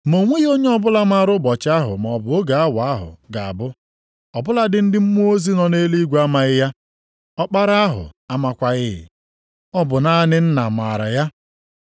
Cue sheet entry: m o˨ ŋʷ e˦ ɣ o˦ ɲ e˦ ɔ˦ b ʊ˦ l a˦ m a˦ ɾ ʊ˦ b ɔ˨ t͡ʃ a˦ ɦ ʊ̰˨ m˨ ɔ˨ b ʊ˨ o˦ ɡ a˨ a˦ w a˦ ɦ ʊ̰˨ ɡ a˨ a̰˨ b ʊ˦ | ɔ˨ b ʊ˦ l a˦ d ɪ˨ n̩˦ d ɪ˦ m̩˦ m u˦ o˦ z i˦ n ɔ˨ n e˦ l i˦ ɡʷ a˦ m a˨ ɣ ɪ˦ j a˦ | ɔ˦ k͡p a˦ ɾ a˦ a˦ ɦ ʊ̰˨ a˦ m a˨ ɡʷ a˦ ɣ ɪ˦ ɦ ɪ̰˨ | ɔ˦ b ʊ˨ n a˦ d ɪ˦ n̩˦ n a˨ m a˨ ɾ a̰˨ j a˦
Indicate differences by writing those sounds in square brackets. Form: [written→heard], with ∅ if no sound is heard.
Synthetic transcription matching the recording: m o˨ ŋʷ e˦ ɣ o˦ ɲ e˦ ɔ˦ b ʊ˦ l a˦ m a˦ ɾ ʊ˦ b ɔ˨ t͡ʃ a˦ ɦ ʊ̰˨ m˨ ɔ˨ b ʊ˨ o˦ ɡ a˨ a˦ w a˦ ɦ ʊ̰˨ ɡ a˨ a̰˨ b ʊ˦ | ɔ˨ b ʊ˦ l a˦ d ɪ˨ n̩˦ d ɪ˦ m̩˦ m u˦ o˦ z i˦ n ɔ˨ n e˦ l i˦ ɡʷ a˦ m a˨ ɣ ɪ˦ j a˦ | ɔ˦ k͡p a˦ ɾ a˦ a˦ ɦ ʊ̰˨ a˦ m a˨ [ɡʷ→kʷ] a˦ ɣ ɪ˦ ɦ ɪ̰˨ | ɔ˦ b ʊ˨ n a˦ [d→n] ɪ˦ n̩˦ n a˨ m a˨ ɾ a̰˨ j a˦